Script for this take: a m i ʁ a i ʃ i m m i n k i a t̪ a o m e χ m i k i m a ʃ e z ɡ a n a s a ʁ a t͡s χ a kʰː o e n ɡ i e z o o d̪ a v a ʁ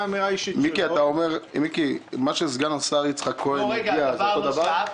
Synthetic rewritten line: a m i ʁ a i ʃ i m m i k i a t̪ a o m e ʁ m i k i m a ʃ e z ɡ a n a s a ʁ i t͡s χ a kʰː o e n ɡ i a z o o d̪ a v a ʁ